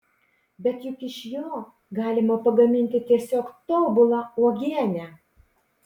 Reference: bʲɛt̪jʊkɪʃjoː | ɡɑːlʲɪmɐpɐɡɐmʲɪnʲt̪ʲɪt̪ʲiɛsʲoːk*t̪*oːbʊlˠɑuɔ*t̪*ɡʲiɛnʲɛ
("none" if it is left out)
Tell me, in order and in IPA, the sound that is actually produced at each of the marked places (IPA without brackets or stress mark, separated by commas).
t̪, none